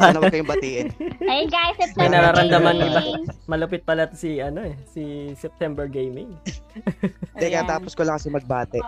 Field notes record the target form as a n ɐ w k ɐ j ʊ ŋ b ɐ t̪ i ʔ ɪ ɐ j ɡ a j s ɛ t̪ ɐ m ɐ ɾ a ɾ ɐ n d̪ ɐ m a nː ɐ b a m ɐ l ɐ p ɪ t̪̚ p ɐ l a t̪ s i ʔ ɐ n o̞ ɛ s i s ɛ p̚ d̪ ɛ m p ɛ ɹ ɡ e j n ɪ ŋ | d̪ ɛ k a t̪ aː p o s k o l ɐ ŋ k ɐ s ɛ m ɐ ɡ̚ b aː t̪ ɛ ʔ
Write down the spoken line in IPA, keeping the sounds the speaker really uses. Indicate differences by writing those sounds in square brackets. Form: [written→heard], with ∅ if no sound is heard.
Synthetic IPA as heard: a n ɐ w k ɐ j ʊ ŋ b ɐ t̪ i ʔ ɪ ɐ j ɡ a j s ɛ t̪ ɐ [m→n] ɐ ɾ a ɾ ɐ n d̪ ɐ m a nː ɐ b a m ɐ l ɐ p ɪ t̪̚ p ɐ l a t̪ s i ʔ ɐ n o̞ ɛ s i s ɛ p̚ [d̪→t̪] ɛ m [p→b] ɛ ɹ ɡ e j [n→m] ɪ ŋ | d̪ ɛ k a t̪ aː p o s k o l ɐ ŋ k ɐ s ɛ m ɐ ɡ̚ b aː t̪ ɛ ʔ